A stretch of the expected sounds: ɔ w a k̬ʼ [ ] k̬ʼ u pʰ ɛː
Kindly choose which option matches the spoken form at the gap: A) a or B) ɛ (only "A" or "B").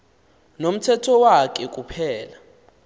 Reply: B